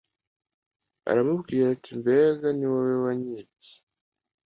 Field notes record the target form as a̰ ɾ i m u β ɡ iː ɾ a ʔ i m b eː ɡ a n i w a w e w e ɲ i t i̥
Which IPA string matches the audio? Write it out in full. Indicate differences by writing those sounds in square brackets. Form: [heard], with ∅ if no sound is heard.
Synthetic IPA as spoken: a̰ ɾ [a] m u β ɡ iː ɾ a [t] i m b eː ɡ a n i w a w e w [a] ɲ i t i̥